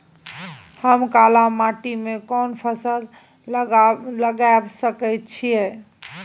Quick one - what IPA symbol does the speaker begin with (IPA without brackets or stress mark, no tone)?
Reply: h